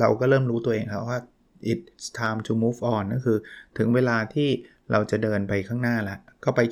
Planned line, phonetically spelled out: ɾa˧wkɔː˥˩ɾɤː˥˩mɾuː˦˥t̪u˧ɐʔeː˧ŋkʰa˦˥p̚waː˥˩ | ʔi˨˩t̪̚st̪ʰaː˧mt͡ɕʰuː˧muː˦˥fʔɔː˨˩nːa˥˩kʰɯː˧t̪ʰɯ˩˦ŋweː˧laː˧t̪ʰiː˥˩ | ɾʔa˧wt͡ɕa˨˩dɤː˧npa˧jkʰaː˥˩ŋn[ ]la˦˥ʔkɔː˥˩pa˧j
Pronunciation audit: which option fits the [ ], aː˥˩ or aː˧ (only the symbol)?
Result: aː˥˩